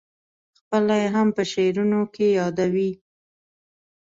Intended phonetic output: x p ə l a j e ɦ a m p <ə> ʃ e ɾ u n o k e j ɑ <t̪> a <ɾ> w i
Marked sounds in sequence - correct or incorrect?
correct, incorrect: d̪, incorrect: none

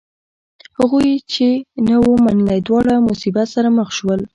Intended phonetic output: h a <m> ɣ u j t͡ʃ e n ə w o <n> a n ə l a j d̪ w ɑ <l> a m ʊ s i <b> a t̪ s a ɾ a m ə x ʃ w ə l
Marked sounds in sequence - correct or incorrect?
incorrect: none, incorrect: m, incorrect: ɽ, correct

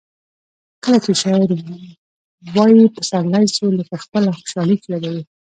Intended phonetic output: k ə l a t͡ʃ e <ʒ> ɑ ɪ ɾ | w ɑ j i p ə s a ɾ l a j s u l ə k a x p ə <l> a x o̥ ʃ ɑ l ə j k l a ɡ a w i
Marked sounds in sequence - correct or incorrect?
incorrect: ʃ, correct

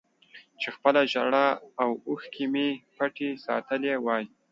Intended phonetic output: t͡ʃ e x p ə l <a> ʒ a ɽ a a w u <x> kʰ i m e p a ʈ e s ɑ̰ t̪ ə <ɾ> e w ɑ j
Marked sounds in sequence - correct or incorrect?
correct, correct, incorrect: l

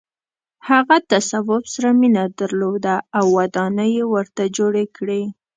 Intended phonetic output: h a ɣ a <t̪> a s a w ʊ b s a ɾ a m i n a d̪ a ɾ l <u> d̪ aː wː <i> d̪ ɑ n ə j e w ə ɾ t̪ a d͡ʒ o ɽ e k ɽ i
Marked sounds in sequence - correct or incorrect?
correct, incorrect: o, incorrect: a

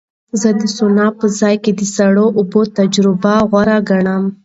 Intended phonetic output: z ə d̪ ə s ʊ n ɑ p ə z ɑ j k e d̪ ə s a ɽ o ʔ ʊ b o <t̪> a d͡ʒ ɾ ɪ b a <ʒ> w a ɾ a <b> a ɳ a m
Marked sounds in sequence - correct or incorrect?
correct, incorrect: ɣ, incorrect: ɡ

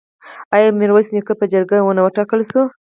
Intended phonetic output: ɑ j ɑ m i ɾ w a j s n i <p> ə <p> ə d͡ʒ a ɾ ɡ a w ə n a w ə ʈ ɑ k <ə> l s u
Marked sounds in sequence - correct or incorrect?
incorrect: k, correct, correct

